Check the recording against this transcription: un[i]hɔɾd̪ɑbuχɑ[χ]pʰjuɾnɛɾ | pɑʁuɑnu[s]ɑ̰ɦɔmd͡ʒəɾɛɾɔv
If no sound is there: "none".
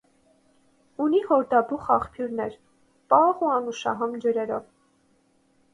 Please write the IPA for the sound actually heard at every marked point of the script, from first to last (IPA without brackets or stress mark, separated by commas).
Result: i, χ, ʃ